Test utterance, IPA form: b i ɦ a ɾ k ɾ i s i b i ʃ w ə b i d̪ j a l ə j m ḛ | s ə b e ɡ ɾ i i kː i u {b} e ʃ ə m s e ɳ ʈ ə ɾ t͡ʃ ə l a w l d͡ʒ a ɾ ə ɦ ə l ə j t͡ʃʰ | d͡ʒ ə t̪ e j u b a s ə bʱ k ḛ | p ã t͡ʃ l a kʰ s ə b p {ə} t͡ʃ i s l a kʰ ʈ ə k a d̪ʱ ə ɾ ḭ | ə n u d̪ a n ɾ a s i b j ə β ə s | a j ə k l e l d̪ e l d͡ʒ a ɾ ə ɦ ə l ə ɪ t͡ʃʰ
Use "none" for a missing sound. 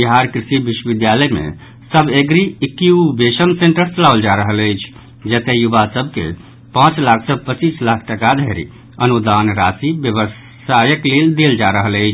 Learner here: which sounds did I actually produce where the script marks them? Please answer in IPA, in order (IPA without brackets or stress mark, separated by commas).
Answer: b, ə